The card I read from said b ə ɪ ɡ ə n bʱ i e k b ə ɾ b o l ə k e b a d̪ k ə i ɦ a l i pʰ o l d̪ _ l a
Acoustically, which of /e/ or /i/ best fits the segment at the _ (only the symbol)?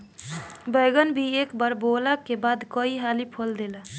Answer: e